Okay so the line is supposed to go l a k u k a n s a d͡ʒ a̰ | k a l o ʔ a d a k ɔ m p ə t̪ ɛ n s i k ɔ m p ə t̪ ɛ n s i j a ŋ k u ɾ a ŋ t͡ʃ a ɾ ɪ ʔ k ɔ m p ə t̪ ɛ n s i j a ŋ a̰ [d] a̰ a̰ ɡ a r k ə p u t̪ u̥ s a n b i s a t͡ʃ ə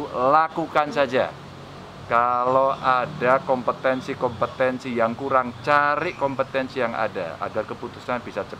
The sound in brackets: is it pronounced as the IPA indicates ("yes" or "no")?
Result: yes